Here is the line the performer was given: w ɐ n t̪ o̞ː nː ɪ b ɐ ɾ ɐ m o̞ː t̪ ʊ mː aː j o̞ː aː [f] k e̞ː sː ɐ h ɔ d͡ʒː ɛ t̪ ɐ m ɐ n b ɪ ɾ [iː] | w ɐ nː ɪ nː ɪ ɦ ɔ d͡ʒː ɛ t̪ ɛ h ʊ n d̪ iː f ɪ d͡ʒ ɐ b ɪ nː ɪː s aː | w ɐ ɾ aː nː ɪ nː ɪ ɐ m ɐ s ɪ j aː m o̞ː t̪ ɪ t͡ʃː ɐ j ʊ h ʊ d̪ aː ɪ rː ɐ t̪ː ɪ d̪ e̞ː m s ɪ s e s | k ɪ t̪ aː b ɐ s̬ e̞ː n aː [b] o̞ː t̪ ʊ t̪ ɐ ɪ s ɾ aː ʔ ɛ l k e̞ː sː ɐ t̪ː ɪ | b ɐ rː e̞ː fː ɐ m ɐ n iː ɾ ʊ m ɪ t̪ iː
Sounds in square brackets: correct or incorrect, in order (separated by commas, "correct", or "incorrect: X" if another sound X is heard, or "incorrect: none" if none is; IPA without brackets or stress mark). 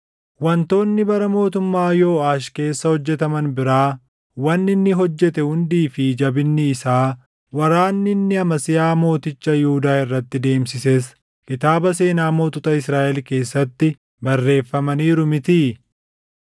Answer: incorrect: ʃ, incorrect: aː, incorrect: m